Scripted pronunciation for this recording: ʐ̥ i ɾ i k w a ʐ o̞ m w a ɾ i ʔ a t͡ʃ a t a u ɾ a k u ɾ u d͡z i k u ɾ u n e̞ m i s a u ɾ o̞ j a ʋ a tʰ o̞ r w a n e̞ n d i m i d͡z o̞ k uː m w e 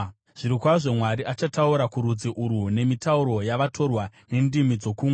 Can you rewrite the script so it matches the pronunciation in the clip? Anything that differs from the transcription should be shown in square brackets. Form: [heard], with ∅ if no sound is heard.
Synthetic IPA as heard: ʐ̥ i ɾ i k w a ʐ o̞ m w a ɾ i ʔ a t͡ʃ a t a u ɾ a k u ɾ u d͡z i [ʔ] u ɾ u n e̞ m i [t] a u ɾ o̞ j a ʋ a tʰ o̞ r w a n e̞ n d i m i d͡z o̞ k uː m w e